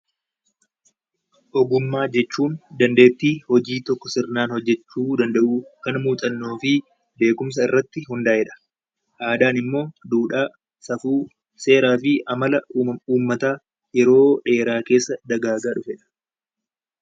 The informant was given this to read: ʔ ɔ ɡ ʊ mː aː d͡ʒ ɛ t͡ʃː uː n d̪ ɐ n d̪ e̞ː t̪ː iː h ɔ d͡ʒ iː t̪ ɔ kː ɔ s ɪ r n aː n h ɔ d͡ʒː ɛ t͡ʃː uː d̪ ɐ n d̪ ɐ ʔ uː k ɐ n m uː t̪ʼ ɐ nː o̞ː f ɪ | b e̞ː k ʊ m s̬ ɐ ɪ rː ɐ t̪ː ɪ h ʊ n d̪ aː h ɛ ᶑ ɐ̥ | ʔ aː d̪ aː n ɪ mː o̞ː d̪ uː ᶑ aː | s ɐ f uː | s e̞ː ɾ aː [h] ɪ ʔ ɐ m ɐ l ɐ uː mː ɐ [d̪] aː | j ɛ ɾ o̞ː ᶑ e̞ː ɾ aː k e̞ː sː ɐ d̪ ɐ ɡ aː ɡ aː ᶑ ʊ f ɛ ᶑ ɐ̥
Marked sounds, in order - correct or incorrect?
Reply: incorrect: f, incorrect: t̪

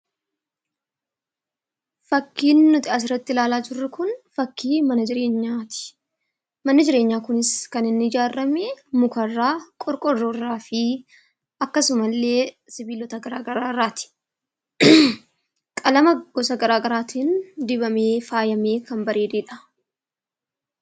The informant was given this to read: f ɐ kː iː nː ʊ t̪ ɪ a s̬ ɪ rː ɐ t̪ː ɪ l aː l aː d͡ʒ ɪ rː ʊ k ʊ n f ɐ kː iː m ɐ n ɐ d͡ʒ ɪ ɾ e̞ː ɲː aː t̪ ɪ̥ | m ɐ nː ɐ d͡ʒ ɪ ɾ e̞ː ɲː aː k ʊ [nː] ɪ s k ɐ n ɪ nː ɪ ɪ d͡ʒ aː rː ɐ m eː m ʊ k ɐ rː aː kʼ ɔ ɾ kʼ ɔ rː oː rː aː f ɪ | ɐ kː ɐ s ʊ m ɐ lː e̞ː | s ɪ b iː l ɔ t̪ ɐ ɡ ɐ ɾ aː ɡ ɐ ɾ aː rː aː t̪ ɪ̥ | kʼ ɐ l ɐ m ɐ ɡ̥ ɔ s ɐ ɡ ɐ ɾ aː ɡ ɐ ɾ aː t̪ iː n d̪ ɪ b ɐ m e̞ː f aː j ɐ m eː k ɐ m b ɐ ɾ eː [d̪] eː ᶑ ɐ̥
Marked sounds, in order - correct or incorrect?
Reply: incorrect: n, correct

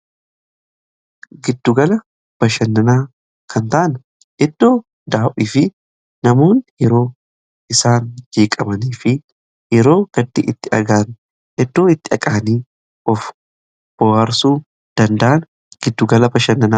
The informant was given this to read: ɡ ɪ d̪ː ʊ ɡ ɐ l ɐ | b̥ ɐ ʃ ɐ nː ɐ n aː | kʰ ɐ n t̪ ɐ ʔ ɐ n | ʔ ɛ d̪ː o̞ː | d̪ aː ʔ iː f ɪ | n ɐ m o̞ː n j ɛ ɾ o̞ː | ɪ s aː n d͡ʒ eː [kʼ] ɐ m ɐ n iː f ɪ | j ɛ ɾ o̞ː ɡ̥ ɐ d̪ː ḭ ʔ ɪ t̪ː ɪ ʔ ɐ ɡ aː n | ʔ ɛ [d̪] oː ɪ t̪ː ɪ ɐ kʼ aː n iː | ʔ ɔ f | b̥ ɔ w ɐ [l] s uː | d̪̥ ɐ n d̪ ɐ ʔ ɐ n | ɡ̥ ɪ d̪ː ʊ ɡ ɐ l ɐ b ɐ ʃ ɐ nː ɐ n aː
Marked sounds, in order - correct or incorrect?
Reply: correct, incorrect: d̪ː, incorrect: ɾ

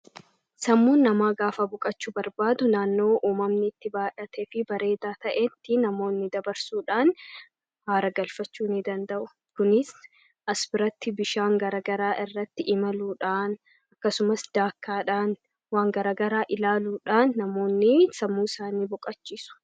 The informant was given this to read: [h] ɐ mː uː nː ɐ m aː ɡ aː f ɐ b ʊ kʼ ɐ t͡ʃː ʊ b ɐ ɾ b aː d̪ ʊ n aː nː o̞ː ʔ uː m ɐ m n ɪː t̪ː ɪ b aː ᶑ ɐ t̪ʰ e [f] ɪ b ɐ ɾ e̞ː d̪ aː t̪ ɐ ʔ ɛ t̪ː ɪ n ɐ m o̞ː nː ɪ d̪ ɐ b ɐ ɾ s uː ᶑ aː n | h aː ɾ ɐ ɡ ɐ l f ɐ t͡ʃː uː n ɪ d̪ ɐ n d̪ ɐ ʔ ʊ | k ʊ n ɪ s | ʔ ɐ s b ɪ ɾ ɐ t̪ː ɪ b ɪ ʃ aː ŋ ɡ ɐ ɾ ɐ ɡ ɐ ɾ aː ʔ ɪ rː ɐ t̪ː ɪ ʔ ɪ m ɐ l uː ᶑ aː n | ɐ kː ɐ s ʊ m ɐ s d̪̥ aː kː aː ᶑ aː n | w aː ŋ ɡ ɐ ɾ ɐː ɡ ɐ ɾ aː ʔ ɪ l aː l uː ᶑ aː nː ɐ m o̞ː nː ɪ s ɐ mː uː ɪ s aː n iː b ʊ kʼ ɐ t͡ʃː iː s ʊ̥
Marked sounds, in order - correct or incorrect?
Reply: incorrect: s, correct

